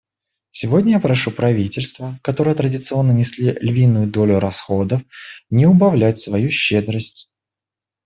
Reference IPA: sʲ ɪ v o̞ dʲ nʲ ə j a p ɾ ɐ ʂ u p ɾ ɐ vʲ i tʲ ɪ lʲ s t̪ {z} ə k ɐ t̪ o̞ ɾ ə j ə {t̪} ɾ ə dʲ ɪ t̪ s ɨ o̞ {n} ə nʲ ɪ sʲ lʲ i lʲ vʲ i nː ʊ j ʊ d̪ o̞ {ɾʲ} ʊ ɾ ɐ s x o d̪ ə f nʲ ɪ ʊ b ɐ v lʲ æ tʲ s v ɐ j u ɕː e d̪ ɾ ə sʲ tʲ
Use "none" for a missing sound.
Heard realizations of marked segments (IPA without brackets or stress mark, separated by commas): v, t̪, nː, lʲ